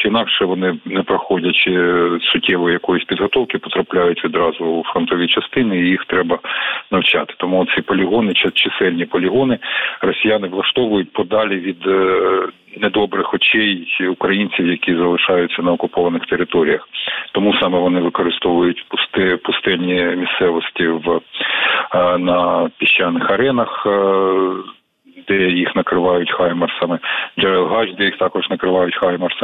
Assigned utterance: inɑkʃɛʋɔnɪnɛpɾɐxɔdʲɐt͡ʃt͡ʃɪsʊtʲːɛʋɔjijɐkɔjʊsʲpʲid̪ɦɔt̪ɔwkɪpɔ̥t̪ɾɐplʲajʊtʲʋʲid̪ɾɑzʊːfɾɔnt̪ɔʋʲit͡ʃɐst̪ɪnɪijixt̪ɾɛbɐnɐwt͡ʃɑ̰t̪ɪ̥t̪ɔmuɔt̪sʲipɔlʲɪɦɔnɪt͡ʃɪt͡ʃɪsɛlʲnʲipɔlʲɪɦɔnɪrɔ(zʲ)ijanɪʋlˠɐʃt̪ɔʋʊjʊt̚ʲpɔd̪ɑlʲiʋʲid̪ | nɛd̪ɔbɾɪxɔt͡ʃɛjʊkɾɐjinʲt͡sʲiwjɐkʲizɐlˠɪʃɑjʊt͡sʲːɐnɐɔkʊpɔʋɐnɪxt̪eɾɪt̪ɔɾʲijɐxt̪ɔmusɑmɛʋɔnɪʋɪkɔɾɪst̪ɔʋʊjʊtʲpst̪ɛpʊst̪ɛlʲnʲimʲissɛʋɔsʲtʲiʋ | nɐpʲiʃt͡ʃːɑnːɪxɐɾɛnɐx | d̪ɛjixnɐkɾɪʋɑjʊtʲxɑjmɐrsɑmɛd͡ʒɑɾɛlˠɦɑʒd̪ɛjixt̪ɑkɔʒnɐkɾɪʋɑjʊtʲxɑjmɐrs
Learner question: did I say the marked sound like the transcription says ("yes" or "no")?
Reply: no